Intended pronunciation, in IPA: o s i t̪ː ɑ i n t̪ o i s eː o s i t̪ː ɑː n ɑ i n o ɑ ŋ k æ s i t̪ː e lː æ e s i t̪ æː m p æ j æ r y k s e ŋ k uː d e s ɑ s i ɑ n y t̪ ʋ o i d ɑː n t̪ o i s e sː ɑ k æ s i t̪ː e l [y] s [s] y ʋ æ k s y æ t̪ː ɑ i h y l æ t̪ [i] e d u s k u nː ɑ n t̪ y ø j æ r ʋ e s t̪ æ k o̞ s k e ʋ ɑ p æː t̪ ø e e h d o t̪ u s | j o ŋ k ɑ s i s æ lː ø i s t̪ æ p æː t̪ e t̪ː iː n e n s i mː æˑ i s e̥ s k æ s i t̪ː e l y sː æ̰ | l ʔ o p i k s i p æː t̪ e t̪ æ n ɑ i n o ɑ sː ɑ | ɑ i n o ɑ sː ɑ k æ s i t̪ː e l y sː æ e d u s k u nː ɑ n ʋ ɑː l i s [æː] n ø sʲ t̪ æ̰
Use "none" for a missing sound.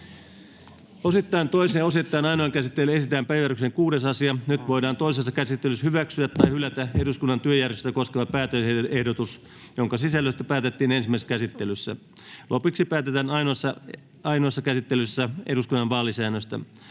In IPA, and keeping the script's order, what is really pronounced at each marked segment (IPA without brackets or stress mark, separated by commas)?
y, h, æ, æː